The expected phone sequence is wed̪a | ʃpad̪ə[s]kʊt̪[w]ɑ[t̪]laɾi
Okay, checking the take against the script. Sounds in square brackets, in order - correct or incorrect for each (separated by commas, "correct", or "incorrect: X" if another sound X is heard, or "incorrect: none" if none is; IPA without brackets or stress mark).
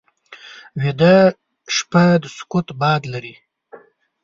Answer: correct, incorrect: b, incorrect: d̪